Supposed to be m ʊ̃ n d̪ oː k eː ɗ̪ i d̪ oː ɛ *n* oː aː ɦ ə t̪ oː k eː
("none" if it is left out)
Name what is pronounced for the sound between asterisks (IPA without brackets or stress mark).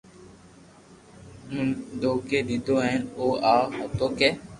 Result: n